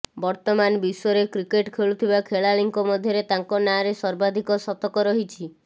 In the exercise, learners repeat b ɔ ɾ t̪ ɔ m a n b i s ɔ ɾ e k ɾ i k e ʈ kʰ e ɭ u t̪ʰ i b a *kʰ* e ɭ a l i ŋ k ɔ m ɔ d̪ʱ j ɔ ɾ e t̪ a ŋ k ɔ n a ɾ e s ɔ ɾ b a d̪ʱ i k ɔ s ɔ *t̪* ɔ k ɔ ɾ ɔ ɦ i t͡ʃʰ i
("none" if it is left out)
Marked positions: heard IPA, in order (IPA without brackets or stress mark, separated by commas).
kʰ, t̪